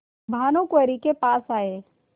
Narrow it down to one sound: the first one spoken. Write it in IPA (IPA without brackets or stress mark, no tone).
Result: bʱ